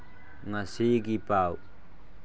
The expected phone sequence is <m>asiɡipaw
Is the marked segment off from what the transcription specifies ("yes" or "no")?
yes